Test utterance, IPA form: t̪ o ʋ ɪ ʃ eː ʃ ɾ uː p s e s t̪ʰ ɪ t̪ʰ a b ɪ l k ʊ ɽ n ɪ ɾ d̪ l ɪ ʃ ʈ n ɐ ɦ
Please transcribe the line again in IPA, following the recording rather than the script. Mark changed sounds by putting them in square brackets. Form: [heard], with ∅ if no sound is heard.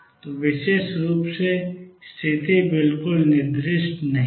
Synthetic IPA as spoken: t̪ o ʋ ɪ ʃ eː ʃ ɾ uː p s e s t̪ʰ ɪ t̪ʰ [i] b ɪ l k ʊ [l] n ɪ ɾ d̪ [ɾ] ɪ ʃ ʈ n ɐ ɦ